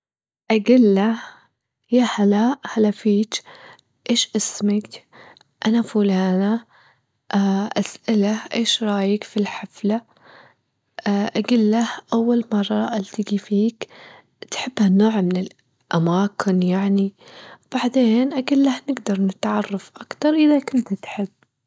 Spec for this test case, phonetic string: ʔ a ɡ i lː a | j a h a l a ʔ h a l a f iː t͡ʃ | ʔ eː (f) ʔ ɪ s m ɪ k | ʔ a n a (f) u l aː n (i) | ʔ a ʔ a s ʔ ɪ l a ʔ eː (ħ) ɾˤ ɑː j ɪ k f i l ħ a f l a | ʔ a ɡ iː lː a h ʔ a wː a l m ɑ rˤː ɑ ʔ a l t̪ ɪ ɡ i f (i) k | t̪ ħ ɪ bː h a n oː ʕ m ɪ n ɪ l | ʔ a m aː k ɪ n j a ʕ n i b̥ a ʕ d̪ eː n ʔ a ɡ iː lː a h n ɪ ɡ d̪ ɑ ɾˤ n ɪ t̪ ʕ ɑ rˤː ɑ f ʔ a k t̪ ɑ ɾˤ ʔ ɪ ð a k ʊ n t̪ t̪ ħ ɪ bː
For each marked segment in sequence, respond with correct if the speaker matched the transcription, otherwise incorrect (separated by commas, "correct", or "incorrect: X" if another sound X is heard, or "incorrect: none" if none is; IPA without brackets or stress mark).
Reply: incorrect: ʃ, correct, incorrect: a, incorrect: ʃ, incorrect: iː